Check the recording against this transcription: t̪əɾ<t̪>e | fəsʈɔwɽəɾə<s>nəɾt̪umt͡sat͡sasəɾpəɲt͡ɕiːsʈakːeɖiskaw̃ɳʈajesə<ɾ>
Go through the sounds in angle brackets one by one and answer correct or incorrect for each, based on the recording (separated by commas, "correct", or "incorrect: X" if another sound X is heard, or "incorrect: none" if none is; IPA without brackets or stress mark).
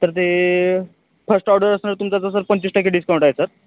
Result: correct, correct, correct